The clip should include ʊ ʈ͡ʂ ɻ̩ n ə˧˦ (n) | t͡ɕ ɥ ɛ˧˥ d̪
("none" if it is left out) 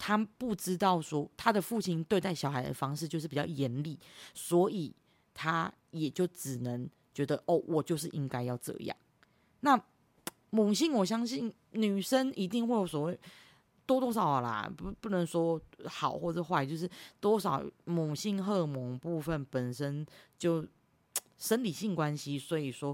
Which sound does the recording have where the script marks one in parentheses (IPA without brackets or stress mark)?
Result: ŋ